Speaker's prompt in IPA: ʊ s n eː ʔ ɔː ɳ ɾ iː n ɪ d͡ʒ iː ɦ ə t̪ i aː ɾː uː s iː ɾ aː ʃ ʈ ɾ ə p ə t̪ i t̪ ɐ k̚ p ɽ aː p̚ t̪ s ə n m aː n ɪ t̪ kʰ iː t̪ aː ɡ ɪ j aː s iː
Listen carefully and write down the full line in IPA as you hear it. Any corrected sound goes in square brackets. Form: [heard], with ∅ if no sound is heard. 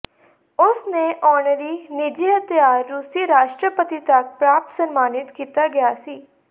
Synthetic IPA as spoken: ʊ s n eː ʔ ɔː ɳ ɾ iː n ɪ d͡ʒ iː ɦ ə t̪ [j] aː ɾː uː s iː ɾ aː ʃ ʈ ɾ ə p ə t̪ i t̪ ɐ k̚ p [ɾ] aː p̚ t̪ s ə n m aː n ɪ t̪ [k] iː t̪ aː ɡ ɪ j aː s iː

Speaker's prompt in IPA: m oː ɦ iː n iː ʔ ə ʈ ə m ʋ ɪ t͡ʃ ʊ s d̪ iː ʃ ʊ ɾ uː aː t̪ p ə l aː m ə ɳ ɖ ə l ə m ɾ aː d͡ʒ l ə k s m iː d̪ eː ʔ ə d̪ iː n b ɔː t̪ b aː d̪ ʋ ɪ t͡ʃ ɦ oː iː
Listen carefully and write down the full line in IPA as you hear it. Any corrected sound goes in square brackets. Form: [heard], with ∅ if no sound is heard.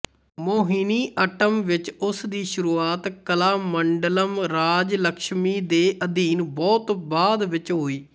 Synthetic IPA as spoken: m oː ɦ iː n iː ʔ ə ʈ ə m ʋ ɪ t͡ʃ ʊ s d̪ iː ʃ ʊ ɾ uː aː t̪ [k] ə l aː m ə ɳ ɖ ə l ə m ɾ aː d͡ʒ l ə k [ʃ] m iː d̪ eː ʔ ə d̪ iː n b ɔː t̪ b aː d̪ ʋ ɪ t͡ʃ ɦ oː iː

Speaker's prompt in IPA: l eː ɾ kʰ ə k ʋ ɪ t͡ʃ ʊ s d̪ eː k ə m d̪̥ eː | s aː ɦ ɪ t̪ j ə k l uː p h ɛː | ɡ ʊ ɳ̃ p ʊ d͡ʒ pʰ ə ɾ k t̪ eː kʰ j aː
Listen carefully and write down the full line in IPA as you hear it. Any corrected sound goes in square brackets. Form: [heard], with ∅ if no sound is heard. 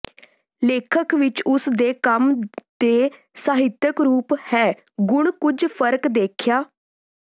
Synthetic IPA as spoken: l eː [∅] kʰ ə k ʋ ɪ t͡ʃ ʊ s d̪ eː k ə m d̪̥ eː | s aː ɦ ɪ t̪ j ə k [ɾ] uː p h ɛː | ɡ ʊ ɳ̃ [k] ʊ d͡ʒ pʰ ə ɾ k [d̪] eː kʰ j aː

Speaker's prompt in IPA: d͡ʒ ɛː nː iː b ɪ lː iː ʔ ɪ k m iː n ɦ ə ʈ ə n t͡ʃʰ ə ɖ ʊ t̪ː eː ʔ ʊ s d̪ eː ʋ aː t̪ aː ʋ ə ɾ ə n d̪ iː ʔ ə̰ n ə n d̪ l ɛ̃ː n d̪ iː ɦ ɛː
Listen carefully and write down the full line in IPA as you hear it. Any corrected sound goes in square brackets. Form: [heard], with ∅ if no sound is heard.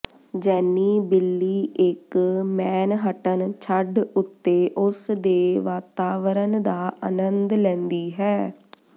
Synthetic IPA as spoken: d͡ʒ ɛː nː iː b ɪ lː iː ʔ ɪ k m [ɛː] n ɦ ə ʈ ə n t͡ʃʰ ə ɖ ʊ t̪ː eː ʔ ʊ s d̪ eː ʋ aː t̪ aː ʋ ə ɾ ə n d̪ [aː] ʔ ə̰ n ə n d̪ l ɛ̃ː n d̪ iː ɦ ɛː

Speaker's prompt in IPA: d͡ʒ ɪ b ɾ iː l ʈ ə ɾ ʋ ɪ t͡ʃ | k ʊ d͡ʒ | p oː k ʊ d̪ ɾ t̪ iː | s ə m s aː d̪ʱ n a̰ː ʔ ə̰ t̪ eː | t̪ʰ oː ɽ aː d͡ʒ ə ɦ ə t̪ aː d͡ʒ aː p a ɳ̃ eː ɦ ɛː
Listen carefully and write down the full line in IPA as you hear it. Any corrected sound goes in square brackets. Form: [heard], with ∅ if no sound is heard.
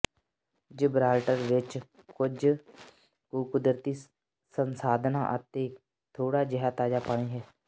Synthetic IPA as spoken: d͡ʒ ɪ b ɾ [aː] l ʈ ə ɾ ʋ ɪ t͡ʃ | k ʊ d͡ʒ | [k] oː k ʊ d̪ ɾ t̪ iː | s ə [n] s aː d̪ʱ n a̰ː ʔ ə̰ t̪ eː | t̪ʰ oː ɽ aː d͡ʒ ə ɦ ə t̪ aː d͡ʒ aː p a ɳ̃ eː ɦ ɛː

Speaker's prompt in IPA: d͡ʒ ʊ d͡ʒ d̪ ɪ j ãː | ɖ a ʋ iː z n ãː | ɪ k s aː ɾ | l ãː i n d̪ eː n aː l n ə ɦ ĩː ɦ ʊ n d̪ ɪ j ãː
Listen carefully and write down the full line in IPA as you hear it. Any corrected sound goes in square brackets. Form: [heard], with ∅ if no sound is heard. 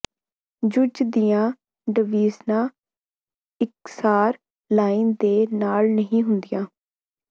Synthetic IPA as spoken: d͡ʒ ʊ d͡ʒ d̪ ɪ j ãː | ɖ [ə] ʋ iː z n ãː | ɪ k s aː ɾ | l [aː] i n d̪ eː n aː l n ə ɦ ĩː ɦ ʊ n d̪ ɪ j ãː

